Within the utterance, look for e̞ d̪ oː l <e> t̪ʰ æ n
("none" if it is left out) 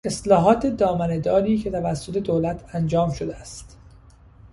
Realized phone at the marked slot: æ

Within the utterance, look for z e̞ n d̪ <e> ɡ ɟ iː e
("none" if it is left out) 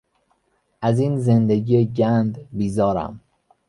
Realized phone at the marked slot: e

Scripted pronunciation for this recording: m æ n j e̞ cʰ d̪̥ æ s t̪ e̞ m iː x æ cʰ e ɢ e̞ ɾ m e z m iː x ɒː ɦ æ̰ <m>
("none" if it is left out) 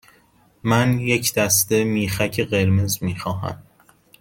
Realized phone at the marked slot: m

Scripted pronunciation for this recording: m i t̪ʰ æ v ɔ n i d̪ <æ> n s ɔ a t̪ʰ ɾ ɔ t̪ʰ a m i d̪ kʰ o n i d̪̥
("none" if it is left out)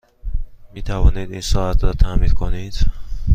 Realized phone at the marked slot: i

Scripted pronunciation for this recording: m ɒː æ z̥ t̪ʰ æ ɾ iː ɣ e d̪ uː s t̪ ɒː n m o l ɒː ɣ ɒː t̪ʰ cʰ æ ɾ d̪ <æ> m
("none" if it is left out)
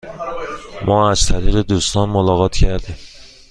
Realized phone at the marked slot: i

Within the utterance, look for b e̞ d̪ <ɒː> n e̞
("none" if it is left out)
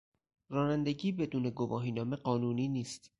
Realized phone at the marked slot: uː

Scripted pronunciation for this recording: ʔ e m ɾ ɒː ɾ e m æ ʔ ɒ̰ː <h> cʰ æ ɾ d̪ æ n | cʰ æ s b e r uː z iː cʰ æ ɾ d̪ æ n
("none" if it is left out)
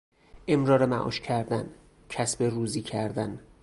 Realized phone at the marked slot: ʃ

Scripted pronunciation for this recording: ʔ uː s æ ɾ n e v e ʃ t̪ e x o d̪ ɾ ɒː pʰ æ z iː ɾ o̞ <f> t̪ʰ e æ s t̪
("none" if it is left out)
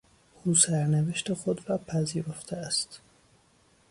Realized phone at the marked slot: f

